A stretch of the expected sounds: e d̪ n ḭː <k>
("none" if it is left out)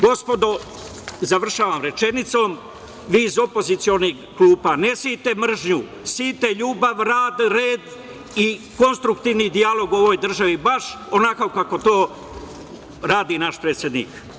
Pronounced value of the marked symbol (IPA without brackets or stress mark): k